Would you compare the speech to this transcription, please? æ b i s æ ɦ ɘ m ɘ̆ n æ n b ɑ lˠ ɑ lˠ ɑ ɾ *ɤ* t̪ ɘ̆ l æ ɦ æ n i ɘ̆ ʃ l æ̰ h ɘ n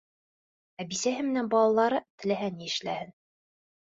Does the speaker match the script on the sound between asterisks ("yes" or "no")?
yes